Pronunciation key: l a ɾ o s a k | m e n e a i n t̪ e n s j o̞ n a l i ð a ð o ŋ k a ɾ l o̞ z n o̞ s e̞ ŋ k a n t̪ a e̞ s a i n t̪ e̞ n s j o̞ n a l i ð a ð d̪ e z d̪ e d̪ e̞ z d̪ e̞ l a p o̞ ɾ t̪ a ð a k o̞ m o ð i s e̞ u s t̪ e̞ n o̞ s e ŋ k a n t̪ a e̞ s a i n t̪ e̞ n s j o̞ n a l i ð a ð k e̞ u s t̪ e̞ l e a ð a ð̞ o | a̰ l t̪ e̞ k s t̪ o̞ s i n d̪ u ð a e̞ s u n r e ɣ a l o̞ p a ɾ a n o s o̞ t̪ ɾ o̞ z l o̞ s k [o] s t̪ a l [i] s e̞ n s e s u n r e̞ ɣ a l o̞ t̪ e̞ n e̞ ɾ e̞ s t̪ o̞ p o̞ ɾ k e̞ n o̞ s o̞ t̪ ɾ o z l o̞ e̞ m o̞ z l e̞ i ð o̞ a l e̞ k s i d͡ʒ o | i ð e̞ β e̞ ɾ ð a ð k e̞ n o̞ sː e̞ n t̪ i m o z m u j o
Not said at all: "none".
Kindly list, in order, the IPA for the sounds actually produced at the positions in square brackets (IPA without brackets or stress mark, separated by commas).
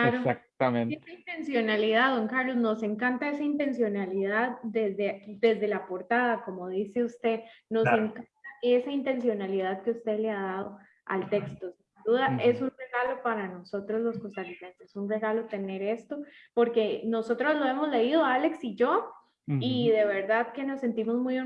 o, i